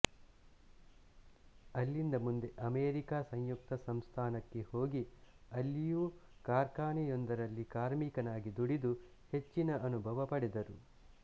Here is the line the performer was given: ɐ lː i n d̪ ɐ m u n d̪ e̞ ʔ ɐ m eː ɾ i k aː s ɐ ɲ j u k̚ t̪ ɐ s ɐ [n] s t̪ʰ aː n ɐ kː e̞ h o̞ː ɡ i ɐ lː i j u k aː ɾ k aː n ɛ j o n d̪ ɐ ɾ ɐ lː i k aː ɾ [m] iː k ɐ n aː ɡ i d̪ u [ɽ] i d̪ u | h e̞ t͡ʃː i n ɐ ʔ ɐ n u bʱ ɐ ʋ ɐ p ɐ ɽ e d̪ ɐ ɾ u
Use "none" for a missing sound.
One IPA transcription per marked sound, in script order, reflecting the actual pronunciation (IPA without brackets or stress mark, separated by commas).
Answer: m, m, ɽ